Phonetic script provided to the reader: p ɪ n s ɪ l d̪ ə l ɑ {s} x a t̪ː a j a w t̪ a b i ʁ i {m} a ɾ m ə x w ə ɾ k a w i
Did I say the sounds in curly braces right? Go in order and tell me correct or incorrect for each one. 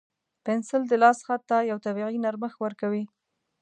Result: correct, incorrect

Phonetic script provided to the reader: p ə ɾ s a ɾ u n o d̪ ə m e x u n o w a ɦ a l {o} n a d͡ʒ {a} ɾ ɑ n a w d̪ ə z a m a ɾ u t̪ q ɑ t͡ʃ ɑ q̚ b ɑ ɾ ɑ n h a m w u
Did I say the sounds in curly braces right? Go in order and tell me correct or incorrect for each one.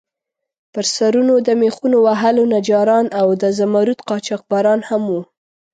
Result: correct, incorrect

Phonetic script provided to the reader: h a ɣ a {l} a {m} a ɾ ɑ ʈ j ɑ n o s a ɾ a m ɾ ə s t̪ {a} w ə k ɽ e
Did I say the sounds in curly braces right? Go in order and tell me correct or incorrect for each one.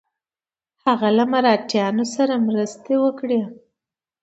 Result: correct, correct, incorrect

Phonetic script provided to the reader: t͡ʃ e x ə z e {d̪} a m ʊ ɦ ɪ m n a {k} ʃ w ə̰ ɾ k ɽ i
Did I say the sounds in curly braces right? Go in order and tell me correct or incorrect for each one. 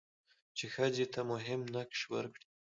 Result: incorrect, correct

